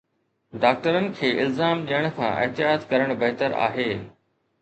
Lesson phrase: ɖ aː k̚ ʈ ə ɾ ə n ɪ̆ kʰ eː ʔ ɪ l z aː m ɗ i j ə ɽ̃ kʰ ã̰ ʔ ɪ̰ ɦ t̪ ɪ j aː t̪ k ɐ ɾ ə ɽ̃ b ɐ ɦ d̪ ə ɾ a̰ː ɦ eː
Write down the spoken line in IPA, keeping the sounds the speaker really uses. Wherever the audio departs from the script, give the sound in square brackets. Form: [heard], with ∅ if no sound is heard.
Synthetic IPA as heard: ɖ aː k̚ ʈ ə ɾ ə n ɪ̆ kʰ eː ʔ ɪ l z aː m ɗ i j ə ɽ̃ kʰ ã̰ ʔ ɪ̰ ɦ t̪ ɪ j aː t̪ k ɐ ɾ ə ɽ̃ b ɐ ɦ [t̪] ə ɾ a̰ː ɦ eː